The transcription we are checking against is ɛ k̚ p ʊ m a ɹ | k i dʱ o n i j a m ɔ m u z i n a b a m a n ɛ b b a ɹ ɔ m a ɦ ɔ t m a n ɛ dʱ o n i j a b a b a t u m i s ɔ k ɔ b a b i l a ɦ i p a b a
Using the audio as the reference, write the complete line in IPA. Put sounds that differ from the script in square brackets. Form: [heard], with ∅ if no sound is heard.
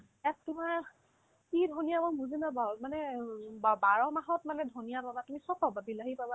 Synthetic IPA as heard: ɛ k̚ [t] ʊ m a ɹ | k i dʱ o n i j a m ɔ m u z i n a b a m a n ɛ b b a ɹ ɔ m a ɦ ɔ t m a n ɛ dʱ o n i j a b a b a t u m i s ɔ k ɔ b a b i l a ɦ i p a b a